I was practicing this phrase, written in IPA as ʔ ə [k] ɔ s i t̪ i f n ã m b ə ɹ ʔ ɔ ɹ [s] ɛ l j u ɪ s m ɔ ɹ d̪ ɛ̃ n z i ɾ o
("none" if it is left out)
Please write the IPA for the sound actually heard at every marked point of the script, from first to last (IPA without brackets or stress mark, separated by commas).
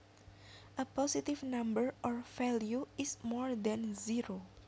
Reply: p, f